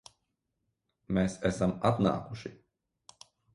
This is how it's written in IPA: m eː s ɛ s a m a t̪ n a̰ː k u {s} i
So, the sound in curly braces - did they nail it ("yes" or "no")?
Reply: no